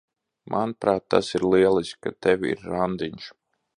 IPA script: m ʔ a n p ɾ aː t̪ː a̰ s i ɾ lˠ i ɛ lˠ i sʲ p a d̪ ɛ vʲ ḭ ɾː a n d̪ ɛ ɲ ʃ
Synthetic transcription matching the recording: m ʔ a n p ɾ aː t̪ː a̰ s i ɾ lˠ i ɛ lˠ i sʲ k a t̪ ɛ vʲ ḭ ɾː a n d̪ i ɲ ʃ